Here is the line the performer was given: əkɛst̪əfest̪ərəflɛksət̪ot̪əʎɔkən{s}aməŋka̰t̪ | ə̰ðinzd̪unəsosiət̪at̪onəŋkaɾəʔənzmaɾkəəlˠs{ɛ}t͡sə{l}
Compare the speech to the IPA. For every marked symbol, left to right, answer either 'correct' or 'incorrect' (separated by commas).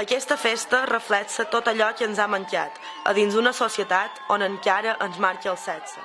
incorrect, correct, incorrect